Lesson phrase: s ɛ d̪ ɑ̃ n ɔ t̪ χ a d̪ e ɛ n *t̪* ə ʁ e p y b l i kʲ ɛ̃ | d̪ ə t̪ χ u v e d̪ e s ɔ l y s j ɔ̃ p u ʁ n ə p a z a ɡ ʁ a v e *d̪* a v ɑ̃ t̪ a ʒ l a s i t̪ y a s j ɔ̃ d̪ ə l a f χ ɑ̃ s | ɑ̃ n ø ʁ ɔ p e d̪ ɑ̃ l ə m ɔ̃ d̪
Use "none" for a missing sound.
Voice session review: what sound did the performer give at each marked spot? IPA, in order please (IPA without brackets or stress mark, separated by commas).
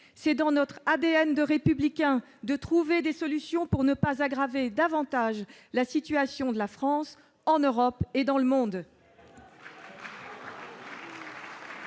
d̪, d̪